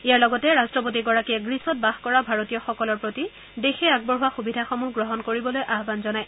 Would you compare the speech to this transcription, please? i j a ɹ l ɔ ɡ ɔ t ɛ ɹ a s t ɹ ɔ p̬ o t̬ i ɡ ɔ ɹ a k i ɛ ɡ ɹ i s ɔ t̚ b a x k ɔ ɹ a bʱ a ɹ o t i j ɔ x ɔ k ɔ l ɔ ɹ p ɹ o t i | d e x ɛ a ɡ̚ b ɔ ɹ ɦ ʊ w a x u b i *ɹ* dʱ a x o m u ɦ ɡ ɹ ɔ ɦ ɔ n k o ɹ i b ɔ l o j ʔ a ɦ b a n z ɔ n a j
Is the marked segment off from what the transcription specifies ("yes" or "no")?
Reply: yes